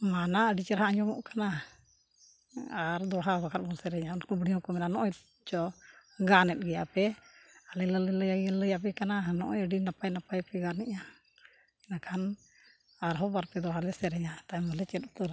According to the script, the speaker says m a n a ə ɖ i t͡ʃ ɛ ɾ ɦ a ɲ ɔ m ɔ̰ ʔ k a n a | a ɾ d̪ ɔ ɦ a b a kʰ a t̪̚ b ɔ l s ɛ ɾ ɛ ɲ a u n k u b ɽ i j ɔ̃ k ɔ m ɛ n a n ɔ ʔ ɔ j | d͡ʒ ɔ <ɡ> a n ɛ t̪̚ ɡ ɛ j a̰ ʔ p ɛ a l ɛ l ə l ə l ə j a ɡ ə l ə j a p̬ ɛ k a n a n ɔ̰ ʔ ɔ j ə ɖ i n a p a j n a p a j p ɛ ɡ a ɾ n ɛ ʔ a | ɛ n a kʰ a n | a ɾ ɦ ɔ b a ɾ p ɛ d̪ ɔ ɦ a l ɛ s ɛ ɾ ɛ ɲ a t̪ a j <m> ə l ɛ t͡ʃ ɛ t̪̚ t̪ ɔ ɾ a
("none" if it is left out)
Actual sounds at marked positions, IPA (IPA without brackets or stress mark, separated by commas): ɡ, m